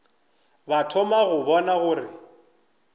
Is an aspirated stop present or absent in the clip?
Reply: present